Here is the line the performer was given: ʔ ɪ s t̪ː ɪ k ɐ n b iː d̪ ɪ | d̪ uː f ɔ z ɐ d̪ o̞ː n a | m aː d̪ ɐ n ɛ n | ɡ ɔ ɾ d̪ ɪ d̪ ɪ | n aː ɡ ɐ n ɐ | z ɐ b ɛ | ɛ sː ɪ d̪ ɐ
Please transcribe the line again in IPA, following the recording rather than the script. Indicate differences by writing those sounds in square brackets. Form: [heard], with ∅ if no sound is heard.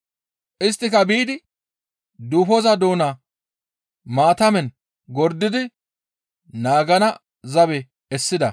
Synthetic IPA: ʔ ɪ s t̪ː ɪ k ɐ [∅] b iː d̪ ɪ | d̪ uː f ɔ z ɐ d̪ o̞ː n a | m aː [t̪] ɐ [m] ɛ n | ɡ ɔ ɾ d̪ ɪ d̪ ɪ | n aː ɡ ɐ n ɐ | z ɐ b ɛ | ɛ sː ɪ d̪ ɐ